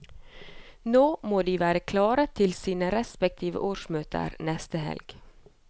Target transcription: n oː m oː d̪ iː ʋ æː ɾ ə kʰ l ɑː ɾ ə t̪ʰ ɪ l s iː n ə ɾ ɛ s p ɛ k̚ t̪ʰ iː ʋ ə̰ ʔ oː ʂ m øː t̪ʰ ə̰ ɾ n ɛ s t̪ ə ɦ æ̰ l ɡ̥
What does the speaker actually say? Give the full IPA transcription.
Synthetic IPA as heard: n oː m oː d̪ iː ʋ æː ɾ ə kʰ l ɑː ɾ ə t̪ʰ ɪ l s iː n ə ɾ ɛ s p ɛ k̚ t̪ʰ iː ʋ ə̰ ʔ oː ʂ m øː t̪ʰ ə̰ ɾ n ɛ s t̪ ə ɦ ɛ̰ l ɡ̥